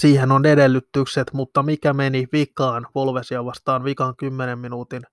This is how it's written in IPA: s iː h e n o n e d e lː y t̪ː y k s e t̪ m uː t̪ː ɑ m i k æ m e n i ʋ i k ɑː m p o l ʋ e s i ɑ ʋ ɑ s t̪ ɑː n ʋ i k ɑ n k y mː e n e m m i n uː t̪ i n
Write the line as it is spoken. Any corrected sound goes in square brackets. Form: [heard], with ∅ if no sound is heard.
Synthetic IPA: s iː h e n o n e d e lː y t̪ː y k s e t̪ m [u] t̪ː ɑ m i k æ m e n i ʋ i k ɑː [n] p o l ʋ e s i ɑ ʋ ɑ s t̪ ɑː n ʋ i k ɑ [ŋ] k y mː e n e m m i n uː t̪ i n